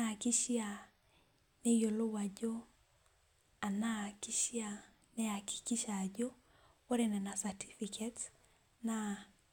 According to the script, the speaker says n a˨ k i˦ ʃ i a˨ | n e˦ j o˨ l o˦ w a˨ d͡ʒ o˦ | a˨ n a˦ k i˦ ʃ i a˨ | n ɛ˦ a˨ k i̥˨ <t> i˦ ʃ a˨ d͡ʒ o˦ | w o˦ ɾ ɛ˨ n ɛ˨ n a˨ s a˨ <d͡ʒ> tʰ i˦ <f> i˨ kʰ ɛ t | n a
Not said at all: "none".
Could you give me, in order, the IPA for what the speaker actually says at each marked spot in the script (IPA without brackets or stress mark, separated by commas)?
k, none, f